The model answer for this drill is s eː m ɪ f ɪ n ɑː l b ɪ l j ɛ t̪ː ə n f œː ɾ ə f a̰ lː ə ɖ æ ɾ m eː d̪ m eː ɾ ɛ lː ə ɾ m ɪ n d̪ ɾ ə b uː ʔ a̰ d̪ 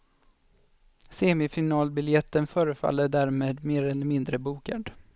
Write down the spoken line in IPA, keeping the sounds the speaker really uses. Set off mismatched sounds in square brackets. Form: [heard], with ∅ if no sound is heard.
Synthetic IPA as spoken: s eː m ɪ f ɪ n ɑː l b ɪ l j ɛ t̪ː ə n f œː ɾ ə f a̰ lː ə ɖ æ ɾ m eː d̪ m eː ɾ ɛ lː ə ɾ m ɪ n d̪ ɾ ə b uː [k] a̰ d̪